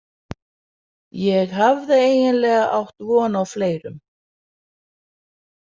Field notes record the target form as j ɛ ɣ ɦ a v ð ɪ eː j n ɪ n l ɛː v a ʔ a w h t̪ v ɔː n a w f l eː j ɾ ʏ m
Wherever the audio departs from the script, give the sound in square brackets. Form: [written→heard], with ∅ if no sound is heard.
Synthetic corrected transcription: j ɛ ɣ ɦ a v ð ɪ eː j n ɪ n l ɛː [v→ɣ] a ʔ a w h t̪ v ɔː n a w f l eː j ɾ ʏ m